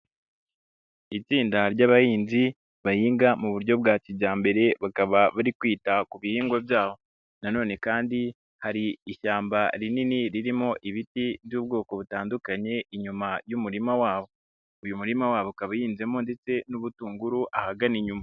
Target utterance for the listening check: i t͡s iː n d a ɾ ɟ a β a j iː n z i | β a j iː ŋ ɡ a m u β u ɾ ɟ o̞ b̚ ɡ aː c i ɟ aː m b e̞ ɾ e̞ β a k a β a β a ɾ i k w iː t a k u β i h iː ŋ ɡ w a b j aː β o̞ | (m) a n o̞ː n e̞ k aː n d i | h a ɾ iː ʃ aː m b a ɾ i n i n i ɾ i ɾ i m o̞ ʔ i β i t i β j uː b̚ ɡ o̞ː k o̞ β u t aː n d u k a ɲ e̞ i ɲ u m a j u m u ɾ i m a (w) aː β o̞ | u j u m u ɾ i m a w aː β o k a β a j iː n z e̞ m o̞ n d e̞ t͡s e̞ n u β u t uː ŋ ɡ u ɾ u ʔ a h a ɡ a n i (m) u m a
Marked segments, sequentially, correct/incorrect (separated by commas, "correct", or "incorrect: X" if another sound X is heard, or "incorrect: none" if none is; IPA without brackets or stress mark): incorrect: n, correct, incorrect: ɲ